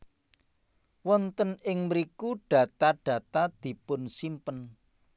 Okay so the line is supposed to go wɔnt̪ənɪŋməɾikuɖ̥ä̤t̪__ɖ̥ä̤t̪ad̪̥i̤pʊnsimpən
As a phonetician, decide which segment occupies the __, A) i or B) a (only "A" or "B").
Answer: B